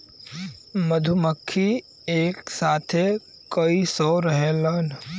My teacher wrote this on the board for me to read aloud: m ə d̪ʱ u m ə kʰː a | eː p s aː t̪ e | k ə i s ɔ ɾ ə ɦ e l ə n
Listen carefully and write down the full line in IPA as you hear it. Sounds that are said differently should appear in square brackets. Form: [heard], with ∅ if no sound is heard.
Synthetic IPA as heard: m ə d̪ʱ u m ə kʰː [i] | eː [k] s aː [t̪ʰ] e | k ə i s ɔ ɾ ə ɦ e l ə n